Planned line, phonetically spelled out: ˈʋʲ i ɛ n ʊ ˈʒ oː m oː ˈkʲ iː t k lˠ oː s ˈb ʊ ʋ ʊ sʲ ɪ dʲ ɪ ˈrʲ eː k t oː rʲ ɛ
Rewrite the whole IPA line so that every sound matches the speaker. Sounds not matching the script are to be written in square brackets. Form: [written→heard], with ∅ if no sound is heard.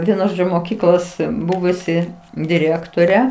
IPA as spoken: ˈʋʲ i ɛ n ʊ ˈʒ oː m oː ˈkʲ iː [t→∅] k lˠ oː s ˈb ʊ ʋ ʊ sʲ ɪ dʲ ɪ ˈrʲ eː k t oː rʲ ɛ